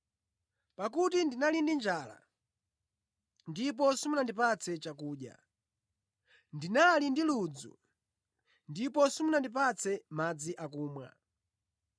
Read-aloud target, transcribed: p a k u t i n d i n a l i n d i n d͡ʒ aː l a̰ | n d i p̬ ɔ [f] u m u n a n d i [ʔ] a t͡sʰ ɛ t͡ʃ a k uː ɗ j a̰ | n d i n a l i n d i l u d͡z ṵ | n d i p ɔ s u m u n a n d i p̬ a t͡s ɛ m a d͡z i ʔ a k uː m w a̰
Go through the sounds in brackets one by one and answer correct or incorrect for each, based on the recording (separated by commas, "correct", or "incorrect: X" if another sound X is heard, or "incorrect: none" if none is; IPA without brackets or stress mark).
incorrect: s, incorrect: p